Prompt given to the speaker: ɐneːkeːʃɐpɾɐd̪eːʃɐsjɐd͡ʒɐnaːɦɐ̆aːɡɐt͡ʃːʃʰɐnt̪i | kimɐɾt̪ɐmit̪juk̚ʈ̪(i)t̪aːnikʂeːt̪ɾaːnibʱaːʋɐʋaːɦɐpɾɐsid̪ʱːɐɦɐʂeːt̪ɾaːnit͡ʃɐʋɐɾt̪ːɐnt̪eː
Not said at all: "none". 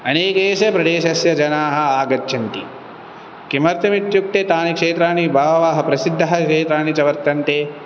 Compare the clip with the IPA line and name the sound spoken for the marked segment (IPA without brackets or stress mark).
e